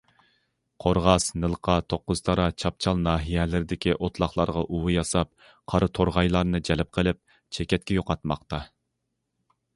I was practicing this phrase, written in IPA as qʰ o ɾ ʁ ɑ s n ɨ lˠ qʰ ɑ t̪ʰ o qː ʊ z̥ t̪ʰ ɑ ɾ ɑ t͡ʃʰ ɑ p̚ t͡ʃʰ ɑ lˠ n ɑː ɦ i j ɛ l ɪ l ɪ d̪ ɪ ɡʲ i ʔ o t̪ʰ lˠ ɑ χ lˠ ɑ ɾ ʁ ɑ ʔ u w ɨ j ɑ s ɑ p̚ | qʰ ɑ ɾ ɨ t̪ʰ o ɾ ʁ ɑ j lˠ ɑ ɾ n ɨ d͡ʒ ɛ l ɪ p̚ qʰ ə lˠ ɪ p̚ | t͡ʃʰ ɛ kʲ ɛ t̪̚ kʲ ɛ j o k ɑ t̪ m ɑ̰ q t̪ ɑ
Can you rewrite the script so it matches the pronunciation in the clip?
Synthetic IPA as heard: qʰ o ɾ ʁ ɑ s n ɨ lˠ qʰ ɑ t̪ʰ o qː ʊ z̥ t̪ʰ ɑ ɾ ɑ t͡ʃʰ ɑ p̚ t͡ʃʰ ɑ lˠ n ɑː ɦ i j ɛ l ɪ ɾ ɪ d̪ ɪ kʲ i ʔ o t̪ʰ lˠ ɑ χ lˠ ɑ ɾ ʁ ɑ ʔ u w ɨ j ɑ s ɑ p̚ | qʰ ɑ ɾ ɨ t̪ʰ o ɾ ʁ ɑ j lˠ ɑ ɾ n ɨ d͡ʒ ɛ l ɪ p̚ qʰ ə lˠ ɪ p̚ | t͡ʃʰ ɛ kʲ ɛ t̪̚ kʲ ɛ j o q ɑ t̪ m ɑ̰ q t̪ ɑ